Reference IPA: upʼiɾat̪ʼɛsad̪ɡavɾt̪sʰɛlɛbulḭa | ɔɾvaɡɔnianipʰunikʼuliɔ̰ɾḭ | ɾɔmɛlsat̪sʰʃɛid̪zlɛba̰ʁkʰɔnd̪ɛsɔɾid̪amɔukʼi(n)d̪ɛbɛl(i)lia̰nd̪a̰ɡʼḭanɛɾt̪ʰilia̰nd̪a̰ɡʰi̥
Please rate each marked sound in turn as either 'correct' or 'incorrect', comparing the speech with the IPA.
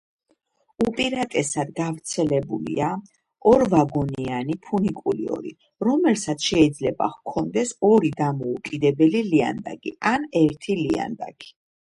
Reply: incorrect, correct

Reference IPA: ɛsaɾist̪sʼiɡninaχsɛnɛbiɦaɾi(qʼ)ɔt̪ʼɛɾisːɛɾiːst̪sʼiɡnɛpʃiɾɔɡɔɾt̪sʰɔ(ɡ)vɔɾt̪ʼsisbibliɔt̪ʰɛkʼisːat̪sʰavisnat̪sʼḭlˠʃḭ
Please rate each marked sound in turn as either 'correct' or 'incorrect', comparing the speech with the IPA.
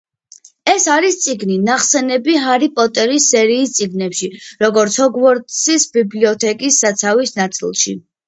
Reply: incorrect, correct

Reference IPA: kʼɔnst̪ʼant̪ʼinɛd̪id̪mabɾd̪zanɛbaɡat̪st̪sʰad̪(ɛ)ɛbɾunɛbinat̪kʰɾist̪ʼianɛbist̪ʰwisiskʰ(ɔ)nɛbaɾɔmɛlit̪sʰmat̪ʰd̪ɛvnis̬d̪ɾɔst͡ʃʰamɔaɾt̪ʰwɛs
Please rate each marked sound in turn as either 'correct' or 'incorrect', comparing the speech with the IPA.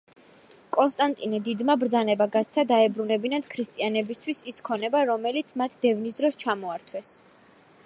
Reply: incorrect, correct

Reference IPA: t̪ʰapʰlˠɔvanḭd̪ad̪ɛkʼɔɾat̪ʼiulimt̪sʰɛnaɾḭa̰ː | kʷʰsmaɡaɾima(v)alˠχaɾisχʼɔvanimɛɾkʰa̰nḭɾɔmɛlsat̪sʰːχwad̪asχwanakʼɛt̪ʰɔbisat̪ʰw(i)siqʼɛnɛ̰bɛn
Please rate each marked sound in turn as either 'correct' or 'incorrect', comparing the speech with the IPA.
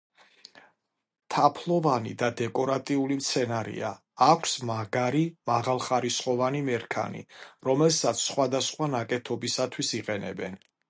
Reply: incorrect, correct

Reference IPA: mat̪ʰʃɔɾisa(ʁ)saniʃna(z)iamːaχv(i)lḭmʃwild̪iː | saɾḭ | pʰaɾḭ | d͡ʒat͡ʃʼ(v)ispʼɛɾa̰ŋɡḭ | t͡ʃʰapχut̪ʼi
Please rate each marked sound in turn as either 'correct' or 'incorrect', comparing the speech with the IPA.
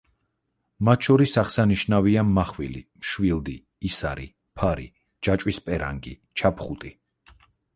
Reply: incorrect, incorrect, correct, incorrect

